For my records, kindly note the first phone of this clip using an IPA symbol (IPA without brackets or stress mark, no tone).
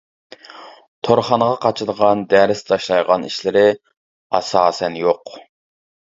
t̪ʰ